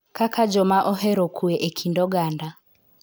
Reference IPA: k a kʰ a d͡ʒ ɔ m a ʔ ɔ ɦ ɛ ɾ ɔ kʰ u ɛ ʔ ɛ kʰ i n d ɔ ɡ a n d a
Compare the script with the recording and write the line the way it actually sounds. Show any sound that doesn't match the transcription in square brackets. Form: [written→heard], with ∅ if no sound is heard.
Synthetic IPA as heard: k a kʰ a d͡ʒ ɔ m a ʔ ɔ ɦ ɛ ɾ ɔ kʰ u ɛ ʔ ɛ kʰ i n d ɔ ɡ a n d a

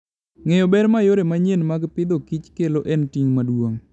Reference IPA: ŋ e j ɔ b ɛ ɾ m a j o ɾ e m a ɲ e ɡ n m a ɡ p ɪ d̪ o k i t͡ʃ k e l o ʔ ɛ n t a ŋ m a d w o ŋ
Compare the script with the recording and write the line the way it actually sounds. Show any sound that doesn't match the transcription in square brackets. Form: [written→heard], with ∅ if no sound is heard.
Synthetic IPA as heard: ŋ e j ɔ b ɛ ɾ m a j o ɾ e m a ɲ e [ɡ→∅] n m a ɡ p ɪ d̪ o k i t͡ʃ k e l o ʔ ɛ n t [a→i] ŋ m a d w o ŋ

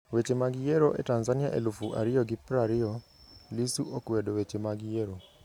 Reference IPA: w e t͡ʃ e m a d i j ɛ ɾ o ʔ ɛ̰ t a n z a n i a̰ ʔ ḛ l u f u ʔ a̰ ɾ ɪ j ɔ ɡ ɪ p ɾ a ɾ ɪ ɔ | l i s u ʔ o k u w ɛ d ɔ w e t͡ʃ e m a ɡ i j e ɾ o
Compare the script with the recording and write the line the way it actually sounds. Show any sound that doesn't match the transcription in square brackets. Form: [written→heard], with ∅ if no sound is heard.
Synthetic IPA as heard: w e t͡ʃ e m a [d→ɡ] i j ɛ ɾ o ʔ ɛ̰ t a n z a n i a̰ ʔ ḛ l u f u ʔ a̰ ɾ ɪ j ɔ ɡ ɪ p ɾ a ɾ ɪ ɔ | l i s u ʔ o k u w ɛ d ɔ w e t͡ʃ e m a ɡ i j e ɾ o

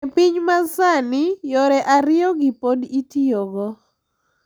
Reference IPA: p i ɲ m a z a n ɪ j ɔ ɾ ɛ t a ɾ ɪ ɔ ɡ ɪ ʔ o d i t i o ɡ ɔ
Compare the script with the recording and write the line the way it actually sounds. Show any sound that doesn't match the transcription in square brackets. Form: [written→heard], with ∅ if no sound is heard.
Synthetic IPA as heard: p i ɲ m a [z→s] a n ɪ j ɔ ɾ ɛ [t→ʔ] a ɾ ɪ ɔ ɡ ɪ [ʔ→p] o d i t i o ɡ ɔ

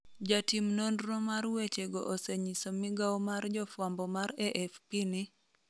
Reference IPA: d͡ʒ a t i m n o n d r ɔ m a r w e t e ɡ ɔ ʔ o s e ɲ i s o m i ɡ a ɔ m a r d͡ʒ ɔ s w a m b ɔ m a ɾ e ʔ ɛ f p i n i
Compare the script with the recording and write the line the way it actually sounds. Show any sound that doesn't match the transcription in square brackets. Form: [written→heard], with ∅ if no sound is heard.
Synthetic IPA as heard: d͡ʒ a t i m n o n d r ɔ m a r w e [t→t͡ʃ] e ɡ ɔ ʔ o s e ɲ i s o m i ɡ a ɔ m a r d͡ʒ ɔ [s→f] w a m b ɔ m a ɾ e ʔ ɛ f p i n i

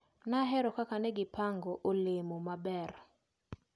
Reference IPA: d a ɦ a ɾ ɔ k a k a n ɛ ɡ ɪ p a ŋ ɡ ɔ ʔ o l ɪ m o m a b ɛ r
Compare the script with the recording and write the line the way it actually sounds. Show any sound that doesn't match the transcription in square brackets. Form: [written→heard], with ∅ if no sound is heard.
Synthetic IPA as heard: [d→n] a ɦ [a→ɛ] ɾ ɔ k a k a n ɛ ɡ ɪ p a ŋ ɡ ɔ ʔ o l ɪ m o m a b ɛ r

